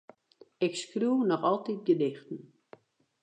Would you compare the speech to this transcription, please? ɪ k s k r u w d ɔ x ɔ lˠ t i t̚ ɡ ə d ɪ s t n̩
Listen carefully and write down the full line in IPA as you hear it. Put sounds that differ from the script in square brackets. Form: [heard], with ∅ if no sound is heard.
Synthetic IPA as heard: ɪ k s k r u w [n] ɔ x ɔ lˠ t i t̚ ɡ ə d ɪ [x] t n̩